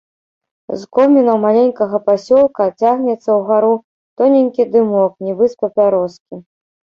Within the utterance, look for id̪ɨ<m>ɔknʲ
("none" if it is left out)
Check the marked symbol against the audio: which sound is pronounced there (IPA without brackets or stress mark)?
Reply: m